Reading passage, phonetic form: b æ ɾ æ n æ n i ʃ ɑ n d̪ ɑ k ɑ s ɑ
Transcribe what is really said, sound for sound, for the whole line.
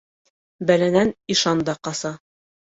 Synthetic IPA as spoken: b æ l æ n æ n i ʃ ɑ n d̪ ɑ q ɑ s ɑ